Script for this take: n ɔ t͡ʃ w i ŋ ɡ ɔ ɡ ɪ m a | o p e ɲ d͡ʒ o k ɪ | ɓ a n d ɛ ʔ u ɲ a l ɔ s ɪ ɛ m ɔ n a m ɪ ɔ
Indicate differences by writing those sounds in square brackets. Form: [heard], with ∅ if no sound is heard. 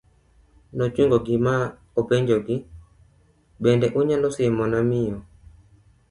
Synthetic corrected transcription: n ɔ t͡ʃ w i ŋ ɡ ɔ ɡ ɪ m a | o p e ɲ d͡ʒ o [ɡ] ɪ | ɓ [ɛ] n d ɛ ʔ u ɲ a l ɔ s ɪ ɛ m ɔ n a m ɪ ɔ